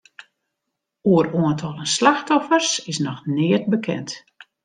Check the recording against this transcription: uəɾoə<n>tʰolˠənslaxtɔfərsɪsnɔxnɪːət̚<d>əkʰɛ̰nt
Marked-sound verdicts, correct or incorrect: correct, incorrect: b

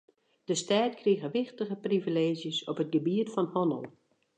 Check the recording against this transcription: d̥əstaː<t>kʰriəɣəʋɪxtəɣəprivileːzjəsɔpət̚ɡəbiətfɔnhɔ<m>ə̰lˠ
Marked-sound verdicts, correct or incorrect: correct, incorrect: n

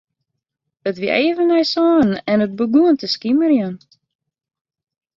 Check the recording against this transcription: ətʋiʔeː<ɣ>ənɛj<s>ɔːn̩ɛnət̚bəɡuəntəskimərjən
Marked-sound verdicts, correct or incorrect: incorrect: v, correct

